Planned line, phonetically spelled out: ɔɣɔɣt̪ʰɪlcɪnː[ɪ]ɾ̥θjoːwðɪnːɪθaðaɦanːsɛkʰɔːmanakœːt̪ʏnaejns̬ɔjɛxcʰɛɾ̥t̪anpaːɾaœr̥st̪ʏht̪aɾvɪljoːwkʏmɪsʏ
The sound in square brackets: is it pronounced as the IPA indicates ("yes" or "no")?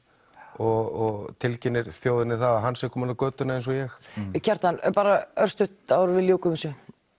yes